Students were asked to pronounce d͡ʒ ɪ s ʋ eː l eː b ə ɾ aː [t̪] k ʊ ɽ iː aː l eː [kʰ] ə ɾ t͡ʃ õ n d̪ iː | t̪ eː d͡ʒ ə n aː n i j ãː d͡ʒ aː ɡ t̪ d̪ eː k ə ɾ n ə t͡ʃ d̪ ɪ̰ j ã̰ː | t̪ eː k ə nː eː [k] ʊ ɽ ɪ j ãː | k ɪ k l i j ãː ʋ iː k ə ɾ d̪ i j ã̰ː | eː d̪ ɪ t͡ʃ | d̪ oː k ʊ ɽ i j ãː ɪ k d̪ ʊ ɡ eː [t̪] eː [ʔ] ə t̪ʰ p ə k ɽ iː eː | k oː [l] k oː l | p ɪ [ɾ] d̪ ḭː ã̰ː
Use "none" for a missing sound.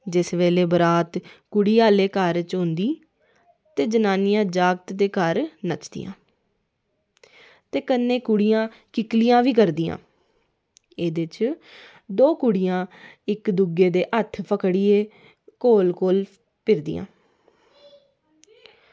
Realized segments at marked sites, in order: t̪, k, k, d̪, ʔ, l, ɾ

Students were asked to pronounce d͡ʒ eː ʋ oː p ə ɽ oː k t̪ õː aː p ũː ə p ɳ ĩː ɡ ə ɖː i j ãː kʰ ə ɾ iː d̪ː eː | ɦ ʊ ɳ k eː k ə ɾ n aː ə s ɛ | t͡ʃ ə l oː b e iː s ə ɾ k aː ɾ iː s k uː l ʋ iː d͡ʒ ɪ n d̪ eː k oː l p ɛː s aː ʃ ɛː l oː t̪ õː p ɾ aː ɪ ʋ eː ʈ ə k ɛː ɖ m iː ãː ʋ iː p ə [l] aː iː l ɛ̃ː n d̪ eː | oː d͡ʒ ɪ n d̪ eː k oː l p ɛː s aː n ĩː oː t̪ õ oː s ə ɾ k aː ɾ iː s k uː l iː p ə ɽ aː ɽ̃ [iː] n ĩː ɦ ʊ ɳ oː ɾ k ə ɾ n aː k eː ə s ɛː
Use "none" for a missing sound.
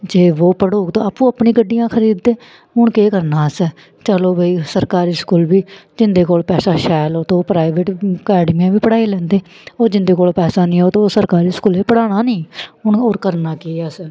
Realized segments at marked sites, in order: ɽ, aː

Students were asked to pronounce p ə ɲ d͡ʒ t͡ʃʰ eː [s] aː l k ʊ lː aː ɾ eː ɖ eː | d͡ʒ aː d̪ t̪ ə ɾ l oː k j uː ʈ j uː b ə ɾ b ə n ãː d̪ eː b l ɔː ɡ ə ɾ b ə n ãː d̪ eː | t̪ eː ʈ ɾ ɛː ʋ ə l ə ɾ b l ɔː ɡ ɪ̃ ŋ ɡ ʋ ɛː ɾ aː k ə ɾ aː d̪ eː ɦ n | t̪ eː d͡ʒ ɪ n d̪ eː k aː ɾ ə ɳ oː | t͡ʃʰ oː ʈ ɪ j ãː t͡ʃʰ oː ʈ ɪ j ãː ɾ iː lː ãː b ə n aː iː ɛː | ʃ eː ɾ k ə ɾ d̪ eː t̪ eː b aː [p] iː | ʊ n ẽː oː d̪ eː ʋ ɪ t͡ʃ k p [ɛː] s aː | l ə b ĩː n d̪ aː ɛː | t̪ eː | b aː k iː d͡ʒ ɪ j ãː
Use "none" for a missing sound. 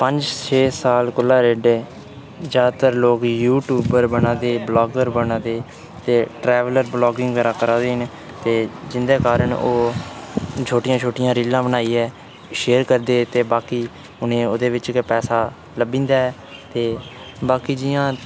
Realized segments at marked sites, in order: s, k, ɛː

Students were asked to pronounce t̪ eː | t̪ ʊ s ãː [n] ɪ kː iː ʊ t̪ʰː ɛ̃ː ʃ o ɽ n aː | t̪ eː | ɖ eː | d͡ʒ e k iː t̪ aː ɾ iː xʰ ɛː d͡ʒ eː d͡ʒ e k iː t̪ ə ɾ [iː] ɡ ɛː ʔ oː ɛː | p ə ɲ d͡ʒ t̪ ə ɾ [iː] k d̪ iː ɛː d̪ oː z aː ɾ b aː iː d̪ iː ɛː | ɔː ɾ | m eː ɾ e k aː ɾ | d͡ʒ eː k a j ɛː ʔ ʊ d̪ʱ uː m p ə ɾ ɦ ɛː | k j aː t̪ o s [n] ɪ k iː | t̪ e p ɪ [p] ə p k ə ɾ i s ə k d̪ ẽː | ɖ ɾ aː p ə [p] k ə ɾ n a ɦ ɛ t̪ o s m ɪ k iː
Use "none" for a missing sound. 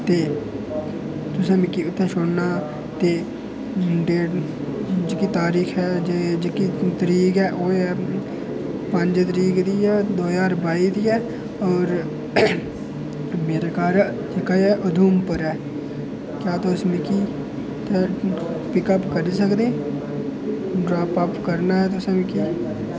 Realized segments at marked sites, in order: m, iː, iː, m, k, p

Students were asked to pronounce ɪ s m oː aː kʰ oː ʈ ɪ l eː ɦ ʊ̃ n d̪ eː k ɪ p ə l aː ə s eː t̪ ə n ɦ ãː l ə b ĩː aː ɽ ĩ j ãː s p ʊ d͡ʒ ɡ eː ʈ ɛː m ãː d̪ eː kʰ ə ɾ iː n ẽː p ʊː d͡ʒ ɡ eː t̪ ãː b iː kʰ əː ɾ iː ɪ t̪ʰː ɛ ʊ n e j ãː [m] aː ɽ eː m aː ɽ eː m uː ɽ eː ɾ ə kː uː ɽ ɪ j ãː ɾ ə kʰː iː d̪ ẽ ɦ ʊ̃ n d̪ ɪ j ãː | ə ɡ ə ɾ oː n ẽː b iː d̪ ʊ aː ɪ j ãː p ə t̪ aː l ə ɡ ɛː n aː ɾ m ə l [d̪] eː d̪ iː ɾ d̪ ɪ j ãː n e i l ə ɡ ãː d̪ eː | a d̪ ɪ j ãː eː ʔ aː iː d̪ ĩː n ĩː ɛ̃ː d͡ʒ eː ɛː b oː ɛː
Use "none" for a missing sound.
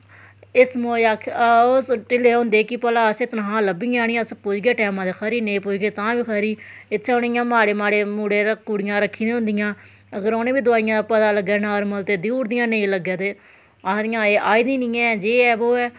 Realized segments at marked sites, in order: m, t̪

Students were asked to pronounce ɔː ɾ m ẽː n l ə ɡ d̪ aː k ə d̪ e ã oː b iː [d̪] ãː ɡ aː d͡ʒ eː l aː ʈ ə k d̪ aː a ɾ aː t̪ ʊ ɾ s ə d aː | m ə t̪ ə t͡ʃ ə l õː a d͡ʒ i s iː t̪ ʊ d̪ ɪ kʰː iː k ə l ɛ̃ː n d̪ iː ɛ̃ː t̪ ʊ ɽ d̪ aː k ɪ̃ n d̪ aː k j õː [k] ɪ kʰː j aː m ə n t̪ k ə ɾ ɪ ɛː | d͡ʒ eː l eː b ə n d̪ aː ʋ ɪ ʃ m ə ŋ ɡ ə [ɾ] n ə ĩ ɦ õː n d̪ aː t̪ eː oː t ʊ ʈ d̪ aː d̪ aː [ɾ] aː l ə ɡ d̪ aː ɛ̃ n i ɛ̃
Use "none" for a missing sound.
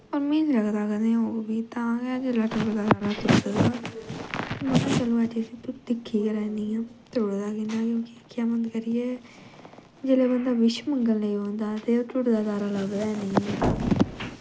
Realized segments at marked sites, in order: t̪, k, l, ɾ

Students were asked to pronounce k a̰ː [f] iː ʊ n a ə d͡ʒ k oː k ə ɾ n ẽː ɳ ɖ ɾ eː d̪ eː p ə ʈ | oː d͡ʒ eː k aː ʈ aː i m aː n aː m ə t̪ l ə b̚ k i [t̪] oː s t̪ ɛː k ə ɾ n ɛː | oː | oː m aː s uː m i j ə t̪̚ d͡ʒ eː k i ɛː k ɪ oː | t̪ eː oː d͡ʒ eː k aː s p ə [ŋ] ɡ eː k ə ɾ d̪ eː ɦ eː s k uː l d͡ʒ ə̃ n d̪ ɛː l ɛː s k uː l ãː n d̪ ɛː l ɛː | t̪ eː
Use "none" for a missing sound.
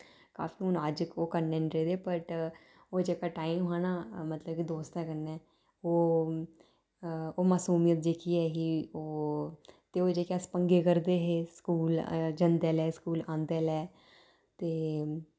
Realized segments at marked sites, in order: f, d̪, ŋ

